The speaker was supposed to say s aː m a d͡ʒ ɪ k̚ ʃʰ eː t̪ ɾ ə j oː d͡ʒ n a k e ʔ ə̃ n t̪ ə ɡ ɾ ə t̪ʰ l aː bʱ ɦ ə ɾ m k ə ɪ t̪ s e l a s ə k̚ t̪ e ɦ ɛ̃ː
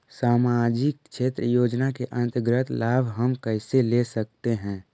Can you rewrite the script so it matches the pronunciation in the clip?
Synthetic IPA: s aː m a d͡ʒ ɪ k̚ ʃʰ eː t̪ ɾ ə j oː d͡ʒ n a k e ʔ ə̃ n t̪ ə ɡ ɾ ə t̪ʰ l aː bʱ ɦ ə m k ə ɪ s e l e s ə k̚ t̪ e ɦ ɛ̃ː